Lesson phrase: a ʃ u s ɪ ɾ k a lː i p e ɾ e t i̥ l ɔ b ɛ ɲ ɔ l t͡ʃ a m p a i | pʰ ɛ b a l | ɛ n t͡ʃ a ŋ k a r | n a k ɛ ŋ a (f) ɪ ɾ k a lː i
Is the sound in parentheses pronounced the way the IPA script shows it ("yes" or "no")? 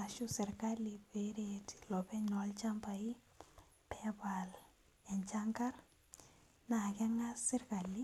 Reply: no